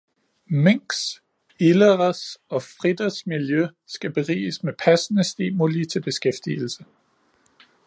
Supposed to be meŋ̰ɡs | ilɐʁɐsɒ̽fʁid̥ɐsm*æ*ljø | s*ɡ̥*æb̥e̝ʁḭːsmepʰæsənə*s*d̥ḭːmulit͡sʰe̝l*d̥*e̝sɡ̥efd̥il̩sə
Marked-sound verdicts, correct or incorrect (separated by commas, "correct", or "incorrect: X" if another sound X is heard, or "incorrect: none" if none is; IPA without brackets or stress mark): incorrect: i, correct, correct, incorrect: b̥